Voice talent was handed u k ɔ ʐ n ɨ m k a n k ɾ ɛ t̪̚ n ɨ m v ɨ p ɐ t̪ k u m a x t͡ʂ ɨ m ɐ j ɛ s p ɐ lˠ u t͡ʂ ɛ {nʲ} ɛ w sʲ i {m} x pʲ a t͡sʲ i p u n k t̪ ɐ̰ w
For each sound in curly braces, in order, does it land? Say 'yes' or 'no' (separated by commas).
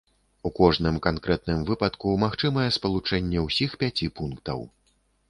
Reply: no, no